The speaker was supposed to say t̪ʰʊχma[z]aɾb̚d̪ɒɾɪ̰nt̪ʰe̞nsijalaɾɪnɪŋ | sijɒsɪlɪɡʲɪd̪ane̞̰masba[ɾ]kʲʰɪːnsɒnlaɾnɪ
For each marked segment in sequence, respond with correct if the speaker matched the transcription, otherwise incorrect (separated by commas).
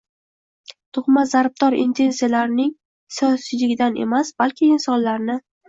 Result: correct, incorrect